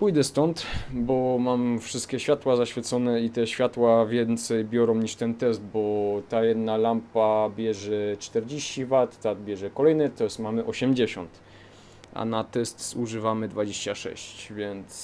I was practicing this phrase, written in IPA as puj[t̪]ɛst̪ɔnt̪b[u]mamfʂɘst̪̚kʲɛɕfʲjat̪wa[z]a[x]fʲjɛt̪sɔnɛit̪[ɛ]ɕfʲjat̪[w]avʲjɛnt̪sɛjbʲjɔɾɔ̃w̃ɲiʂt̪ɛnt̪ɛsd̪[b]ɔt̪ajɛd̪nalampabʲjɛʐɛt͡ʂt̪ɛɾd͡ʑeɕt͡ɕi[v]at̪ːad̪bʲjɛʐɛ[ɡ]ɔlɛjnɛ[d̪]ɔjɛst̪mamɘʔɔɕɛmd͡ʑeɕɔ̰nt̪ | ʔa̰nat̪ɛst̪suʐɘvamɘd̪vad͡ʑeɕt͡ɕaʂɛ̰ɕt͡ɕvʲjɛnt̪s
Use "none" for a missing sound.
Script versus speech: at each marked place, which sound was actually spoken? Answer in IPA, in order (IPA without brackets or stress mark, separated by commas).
d̪, ɔ, z, ɕ, ɛ, w, b, v, k, t̪